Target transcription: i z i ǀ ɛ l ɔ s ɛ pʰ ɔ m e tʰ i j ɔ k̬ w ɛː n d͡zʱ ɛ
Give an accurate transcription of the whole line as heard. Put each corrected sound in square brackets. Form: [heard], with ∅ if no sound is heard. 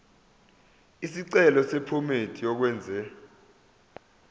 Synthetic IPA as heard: i [s] i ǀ ɛ l ɔ s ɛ pʰ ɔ m e tʰ i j ɔ k̬ w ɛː n d͡zʱ ɛ

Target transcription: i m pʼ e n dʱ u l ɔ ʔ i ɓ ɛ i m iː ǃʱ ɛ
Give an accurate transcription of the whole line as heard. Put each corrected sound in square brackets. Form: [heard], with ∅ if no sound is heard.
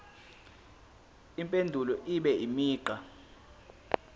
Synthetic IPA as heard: i m pʼ e n dʱ u l ɔ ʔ i ɓ ɛ i m iː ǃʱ [a]

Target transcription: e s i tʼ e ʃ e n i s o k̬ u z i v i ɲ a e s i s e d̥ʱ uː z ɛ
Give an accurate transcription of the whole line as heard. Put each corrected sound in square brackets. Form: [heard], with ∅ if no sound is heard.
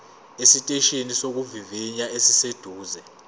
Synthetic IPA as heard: e s i tʼ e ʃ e n i s o k̬ u [v] i v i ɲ a e s i s e d̥ʱ uː z ɛ

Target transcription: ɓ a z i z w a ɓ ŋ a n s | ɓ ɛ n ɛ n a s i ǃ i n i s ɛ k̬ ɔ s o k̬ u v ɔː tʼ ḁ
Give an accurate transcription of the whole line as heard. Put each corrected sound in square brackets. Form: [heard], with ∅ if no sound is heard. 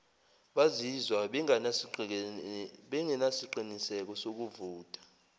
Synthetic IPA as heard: ɓ a z i z w a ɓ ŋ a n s | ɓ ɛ [ŋ] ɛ n a s i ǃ i n i s ɛ k̬ ɔ s o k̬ u v [uː] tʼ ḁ

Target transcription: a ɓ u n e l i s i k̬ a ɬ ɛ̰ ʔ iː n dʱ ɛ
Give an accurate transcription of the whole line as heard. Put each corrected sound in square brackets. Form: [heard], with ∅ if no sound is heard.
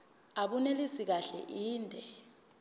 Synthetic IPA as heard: a ɓ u n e l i s i k̬ a ɬ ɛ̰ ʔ iː n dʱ ɛ

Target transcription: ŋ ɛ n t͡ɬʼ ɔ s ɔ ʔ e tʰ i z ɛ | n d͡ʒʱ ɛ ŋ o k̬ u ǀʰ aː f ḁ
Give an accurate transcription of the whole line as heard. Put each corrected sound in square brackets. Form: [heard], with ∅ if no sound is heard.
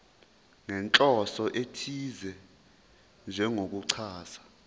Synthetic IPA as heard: ŋ ɛ n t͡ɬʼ ɔ s ɔ ʔ e tʰ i z ɛ | n d͡ʒʱ ɛ ŋ o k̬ u ǀʰ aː [s] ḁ

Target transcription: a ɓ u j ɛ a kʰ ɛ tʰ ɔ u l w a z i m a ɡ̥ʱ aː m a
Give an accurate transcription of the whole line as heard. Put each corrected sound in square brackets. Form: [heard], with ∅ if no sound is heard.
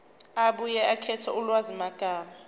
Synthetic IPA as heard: a ɓ u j ɛ a kʰ ɛ tʰ ɔ u l w a z i m a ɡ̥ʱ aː m a

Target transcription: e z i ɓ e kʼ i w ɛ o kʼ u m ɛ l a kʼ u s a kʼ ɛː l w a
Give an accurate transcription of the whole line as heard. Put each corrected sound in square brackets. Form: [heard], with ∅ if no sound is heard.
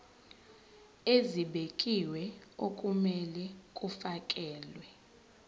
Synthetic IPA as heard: e z i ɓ e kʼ i w ɛ o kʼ u m ɛ l [ɛ] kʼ u [f] a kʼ ɛː l w [ɛ]

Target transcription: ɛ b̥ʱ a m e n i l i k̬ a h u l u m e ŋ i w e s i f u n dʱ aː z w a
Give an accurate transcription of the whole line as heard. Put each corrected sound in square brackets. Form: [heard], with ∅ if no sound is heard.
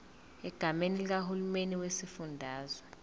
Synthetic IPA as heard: ɛ [ɡ̥ʱ] a m e n i l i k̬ a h u l u m e [n] i w e s i f u n dʱ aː z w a

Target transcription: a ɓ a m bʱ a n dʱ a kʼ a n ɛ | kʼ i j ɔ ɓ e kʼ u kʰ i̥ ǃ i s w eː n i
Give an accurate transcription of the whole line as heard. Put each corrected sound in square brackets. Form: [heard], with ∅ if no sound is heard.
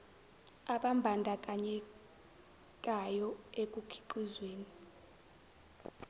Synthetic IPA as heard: a ɓ a m bʱ a n dʱ a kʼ a [ɲ] ɛ | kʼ [a] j ɔ [∅] e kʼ u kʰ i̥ ǃ i [z] w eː n i

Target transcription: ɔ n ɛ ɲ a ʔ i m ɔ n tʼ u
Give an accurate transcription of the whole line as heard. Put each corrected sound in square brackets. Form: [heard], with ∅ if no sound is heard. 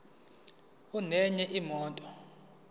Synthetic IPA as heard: [u] n ɛ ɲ [ɛ] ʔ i m [ɔː] n tʼ [ɔ]

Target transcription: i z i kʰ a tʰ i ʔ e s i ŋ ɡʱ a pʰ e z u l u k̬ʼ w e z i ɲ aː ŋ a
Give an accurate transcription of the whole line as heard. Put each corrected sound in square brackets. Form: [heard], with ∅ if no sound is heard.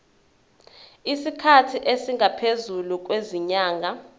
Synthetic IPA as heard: i [s] i kʰ a tʰ i ʔ e s i ŋ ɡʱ a pʰ e z u l u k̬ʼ w e z i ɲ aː ŋ a

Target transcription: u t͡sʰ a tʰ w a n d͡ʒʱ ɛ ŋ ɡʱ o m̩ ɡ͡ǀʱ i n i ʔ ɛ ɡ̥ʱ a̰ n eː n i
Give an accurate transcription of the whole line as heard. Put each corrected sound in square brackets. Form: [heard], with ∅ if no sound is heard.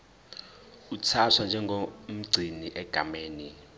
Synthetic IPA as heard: u t͡sʰ a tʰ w a n d͡ʒʱ ɛ ŋ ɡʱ o m̩ ɡ͡ǀʱ i n i ʔ ɛ ɡ̥ʱ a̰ [m] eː n i

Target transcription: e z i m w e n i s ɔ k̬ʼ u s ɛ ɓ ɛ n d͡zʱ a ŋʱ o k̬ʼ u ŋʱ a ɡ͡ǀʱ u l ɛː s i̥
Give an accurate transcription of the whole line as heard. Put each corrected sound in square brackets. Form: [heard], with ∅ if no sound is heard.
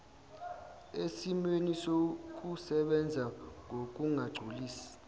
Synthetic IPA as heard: e [s] i m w e n i s [o] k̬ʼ u s ɛ ɓ ɛ n d͡zʱ a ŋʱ o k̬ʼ u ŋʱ a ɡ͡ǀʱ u l [iː] s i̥

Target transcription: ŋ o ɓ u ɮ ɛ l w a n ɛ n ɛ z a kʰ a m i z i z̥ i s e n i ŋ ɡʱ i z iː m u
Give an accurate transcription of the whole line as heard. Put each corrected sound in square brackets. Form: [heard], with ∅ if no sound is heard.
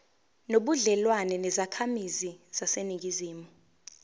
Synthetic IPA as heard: [n] o ɓ u ɮ ɛ l w a n ɛ n ɛ z a kʰ a m i z i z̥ [a] s e n i ŋ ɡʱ i z iː m u

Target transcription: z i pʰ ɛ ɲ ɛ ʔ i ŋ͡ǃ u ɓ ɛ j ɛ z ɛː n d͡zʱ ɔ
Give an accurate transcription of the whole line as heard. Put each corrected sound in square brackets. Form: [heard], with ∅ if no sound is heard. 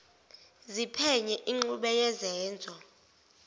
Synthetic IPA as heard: z i pʰ ɛ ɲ ɛ ʔ i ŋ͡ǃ u ɓ ɛ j ɛ z ɛː n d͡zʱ ɔ

